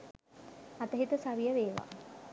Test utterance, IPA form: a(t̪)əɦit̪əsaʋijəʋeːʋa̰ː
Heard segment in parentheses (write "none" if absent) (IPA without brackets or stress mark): t̪